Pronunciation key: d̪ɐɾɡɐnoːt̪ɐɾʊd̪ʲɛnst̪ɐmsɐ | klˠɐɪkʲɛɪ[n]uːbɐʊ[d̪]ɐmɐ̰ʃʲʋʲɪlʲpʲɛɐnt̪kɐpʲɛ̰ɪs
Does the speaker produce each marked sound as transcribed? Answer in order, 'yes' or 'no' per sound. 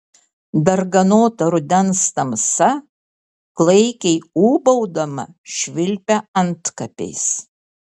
no, yes

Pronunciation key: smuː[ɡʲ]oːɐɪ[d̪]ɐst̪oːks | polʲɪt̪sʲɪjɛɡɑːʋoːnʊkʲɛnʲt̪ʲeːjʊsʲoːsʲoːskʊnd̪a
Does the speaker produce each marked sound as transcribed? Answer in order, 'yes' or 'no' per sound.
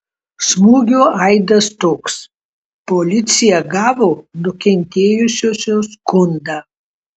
yes, yes

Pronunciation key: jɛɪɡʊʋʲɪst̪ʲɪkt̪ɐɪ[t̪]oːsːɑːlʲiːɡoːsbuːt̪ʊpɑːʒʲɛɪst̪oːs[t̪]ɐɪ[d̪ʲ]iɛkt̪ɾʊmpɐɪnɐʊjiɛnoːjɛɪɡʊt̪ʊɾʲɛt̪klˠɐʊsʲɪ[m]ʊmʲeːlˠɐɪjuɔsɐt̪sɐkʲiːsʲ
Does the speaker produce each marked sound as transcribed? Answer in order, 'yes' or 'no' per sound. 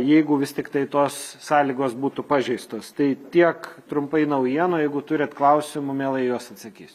yes, yes, no, yes

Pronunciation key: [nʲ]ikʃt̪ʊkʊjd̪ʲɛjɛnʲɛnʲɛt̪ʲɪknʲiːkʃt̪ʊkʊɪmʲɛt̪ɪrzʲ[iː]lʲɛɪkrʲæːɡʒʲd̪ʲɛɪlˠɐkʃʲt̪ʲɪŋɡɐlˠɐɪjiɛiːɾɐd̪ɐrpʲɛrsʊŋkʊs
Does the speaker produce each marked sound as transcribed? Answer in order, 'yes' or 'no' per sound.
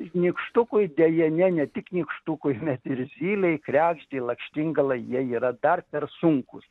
yes, yes

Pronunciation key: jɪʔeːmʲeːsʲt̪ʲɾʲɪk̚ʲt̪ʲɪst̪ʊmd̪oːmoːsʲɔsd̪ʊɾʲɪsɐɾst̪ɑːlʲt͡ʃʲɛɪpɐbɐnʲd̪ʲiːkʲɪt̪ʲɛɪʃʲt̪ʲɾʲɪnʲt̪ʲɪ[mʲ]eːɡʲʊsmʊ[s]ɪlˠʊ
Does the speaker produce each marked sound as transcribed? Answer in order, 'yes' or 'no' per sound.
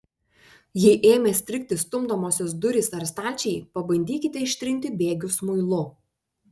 no, no

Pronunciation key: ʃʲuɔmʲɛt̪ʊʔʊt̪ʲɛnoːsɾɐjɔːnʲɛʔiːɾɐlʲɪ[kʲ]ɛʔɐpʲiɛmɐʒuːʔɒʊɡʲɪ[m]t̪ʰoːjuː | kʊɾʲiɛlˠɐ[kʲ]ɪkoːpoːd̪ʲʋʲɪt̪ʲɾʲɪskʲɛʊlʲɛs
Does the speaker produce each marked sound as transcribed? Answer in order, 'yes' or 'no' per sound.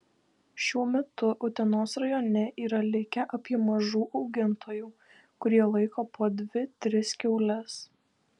yes, no, no

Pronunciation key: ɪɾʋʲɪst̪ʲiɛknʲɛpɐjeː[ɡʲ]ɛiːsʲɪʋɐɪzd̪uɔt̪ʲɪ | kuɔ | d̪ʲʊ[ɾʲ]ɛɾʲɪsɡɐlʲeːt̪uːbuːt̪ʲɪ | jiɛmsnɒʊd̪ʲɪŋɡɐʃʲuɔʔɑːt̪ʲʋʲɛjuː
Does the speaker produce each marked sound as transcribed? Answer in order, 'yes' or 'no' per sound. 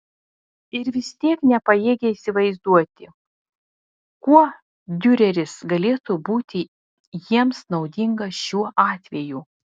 yes, yes

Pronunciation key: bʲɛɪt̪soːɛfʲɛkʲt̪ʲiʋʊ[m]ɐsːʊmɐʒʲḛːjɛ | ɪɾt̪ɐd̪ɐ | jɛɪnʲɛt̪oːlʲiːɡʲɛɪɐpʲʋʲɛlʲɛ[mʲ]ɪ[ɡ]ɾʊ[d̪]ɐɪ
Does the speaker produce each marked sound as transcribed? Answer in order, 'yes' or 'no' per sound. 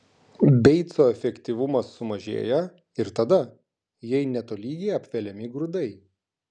yes, yes, yes, yes

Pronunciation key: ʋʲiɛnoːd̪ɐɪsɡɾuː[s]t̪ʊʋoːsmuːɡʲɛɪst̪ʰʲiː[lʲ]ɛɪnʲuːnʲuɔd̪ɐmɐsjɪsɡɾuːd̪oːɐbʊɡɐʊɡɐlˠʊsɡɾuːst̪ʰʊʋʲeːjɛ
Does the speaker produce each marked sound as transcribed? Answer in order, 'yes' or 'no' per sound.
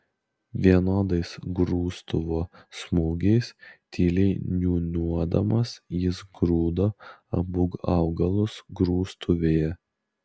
yes, yes

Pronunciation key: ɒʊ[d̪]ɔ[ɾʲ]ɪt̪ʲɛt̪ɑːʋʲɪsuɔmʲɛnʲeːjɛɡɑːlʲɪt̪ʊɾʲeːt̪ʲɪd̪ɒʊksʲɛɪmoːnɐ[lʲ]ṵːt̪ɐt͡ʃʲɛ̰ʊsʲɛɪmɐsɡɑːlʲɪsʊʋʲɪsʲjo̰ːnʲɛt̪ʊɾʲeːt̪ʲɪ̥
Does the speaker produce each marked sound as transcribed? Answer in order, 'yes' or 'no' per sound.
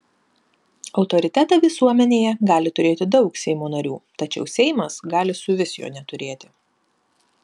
no, yes, no

